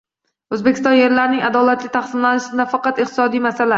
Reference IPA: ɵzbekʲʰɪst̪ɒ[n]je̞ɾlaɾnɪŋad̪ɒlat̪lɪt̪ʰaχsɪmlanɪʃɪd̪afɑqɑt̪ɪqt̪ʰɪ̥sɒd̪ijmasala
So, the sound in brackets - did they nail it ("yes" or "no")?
yes